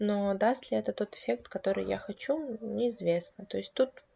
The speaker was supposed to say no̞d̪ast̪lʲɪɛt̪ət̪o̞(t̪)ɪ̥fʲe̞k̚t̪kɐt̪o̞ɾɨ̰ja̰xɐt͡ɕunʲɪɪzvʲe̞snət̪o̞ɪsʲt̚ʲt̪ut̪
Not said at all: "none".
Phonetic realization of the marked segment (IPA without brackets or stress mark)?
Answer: t̪